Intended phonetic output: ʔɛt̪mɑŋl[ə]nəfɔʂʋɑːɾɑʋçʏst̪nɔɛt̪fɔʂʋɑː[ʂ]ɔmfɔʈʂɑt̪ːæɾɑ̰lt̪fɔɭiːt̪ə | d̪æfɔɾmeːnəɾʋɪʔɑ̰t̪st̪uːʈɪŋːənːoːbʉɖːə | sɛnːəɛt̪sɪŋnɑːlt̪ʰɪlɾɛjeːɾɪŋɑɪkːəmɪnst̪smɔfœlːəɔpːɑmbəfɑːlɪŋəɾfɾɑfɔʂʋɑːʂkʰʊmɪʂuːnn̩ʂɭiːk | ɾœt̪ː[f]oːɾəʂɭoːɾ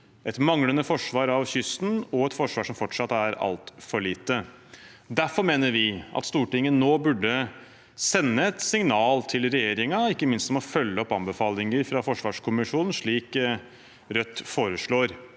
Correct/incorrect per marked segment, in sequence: correct, correct, correct

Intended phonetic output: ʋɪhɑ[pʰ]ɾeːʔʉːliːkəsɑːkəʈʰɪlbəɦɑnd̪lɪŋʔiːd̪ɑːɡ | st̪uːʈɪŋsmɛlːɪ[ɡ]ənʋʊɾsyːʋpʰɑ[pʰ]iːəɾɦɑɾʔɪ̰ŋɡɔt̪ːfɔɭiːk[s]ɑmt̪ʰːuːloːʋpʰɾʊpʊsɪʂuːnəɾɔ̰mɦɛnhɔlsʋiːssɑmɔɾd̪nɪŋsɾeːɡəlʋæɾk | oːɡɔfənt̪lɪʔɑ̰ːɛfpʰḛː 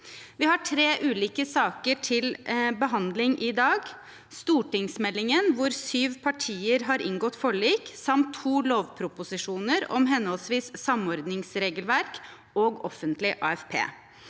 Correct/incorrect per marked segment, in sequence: incorrect, incorrect, incorrect, correct

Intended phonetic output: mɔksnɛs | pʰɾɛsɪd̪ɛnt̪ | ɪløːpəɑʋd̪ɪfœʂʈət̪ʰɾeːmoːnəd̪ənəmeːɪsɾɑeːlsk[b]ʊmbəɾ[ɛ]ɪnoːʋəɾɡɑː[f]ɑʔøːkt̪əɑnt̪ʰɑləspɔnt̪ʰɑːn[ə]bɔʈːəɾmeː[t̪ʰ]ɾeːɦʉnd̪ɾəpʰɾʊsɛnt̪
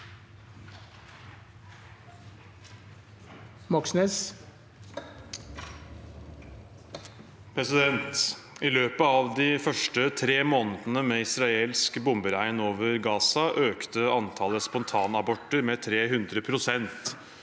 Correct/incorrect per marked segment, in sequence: correct, incorrect, incorrect, incorrect, correct

